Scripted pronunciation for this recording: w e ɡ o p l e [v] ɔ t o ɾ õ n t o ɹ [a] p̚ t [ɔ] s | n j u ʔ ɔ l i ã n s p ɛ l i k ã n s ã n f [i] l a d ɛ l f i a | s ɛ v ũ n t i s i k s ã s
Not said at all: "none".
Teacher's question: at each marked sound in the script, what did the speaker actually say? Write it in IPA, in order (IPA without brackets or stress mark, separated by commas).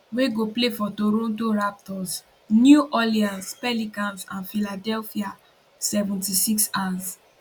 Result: f, a, ɔ, i